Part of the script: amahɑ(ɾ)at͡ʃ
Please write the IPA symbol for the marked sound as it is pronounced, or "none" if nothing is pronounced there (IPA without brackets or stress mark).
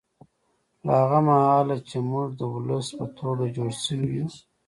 l